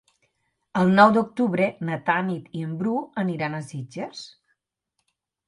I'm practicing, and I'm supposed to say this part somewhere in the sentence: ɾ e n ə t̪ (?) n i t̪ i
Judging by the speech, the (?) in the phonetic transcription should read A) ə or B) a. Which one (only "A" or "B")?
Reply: B